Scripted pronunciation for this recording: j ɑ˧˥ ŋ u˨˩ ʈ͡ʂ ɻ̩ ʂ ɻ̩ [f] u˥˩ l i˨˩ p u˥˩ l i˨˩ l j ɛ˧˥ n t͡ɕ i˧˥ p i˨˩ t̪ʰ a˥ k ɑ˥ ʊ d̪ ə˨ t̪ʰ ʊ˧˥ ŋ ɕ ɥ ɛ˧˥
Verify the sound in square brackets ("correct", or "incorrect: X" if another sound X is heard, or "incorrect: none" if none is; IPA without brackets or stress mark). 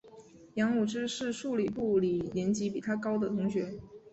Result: incorrect: ʂ